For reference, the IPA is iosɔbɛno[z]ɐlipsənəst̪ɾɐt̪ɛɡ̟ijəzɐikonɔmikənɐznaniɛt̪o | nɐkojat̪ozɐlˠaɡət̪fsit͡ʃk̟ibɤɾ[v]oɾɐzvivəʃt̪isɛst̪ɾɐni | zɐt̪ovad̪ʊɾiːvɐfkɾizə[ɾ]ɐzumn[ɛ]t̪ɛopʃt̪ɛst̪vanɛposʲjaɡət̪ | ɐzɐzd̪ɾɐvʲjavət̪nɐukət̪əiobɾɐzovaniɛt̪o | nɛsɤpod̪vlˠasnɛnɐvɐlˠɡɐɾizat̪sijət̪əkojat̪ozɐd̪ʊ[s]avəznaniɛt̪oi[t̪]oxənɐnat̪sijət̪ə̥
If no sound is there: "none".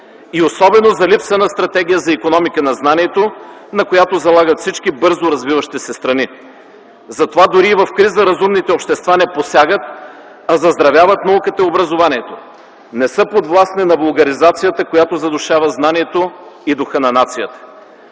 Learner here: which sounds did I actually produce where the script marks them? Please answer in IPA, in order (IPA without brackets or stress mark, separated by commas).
z, z, ɾ, i, ʃ, d̪